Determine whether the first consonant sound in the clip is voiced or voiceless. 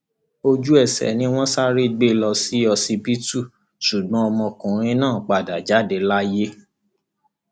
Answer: voiced